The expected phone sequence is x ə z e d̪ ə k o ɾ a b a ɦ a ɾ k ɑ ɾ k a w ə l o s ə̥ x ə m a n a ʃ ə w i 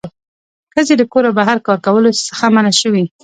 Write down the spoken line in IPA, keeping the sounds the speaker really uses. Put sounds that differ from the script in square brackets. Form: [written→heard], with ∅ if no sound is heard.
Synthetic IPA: x ə z e d̪ ə k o ɾ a b a ɦ a ɾ k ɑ ɾ k a w ə l o s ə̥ x [ə→a] m a n a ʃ ə w i